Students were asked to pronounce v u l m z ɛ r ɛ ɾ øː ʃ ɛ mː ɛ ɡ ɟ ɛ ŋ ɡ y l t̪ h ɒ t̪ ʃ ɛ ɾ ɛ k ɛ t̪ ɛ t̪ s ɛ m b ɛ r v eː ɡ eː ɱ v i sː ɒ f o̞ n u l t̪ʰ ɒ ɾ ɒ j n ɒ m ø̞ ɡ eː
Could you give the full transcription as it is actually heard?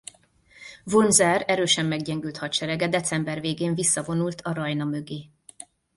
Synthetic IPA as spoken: v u l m z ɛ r ɛ ɾ øː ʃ ɛ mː ɛ ɡ ɟ ɛ ŋ ɡ y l t̪ h ɒ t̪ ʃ ɛ ɾ ɛ ɡ ɛ d̪ ɛ t̪ s ɛ m b ɛ r v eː ɡ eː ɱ v i sː ɒ v o̞ n u l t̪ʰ ɒ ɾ ɒ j n ɒ m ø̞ ɡ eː